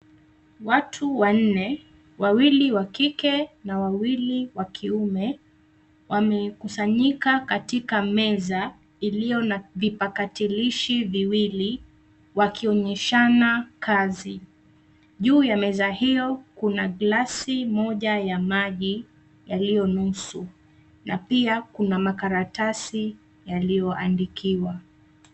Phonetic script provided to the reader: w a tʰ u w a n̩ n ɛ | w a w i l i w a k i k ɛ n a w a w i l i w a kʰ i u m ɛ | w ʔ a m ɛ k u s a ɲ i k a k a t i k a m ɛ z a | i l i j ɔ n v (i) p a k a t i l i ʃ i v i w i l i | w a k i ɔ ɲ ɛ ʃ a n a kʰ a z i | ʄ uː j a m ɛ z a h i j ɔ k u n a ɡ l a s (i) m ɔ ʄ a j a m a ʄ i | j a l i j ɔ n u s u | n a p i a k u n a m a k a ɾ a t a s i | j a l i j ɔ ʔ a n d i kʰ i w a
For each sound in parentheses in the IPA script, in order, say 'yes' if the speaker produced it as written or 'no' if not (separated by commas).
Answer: yes, yes